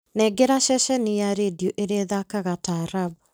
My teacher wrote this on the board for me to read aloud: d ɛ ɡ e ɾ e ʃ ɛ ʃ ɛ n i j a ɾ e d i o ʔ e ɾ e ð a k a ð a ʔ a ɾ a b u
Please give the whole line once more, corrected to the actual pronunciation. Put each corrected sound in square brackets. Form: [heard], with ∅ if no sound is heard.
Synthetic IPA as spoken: [n] ɛ ɡ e ɾ [a] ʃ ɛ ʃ ɛ n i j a ɾ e d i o ʔ e ɾ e ð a k a [ɣ] a [t] a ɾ a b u